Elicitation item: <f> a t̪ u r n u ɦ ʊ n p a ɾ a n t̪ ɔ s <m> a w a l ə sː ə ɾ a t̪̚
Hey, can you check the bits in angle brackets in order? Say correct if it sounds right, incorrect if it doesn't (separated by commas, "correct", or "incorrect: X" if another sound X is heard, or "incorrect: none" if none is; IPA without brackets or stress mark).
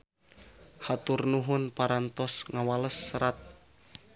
incorrect: h, incorrect: ŋ